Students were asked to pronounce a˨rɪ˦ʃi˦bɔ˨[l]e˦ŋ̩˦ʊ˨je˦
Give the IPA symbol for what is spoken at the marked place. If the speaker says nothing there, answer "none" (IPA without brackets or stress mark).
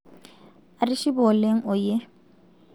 l